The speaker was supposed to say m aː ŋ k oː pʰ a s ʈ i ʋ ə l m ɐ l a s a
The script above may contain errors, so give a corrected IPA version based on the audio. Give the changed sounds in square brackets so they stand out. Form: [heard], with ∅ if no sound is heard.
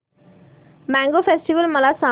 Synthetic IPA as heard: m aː ŋ [ɡ] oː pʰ [e] s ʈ i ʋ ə l m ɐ l a s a